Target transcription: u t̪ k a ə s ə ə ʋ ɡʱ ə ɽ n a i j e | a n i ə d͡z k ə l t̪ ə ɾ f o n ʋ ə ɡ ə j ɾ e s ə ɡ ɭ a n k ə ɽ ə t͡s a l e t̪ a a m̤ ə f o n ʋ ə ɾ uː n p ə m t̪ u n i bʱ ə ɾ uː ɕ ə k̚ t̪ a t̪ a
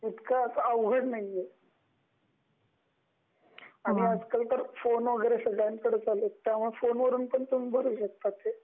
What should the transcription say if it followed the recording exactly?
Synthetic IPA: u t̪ k a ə s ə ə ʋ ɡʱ ə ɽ n a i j e | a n i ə d͡z k ə l t̪ ə ɾ f o n ʋ ə ɡ ə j ɾ e s ə ɡ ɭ a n k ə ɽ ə t͡s a l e t̪ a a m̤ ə f o n ʋ ə ɾ uː n p ə ɳ t̪ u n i bʱ ə ɾ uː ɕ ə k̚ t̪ a t̪ e